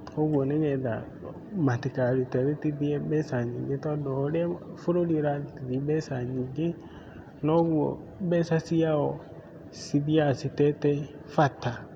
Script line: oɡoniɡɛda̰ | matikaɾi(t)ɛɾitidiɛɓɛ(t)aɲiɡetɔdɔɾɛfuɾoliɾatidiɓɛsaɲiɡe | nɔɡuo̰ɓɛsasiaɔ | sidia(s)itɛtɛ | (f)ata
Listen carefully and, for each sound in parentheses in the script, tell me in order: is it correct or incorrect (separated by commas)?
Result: correct, incorrect, correct, correct